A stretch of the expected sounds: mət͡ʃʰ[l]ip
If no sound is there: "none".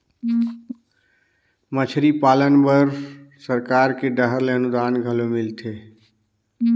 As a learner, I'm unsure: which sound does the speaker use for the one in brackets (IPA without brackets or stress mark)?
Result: ɾ